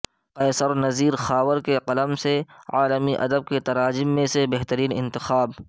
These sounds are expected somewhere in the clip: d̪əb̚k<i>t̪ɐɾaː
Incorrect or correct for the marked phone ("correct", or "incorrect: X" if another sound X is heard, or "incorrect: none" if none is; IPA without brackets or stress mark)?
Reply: incorrect: e